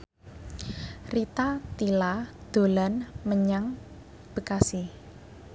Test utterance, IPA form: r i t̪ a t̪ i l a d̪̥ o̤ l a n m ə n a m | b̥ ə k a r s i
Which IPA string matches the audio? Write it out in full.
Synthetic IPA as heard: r i t̪ a t̪ i l a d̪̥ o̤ l a n m ə ɲ a ŋ | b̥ ə k a s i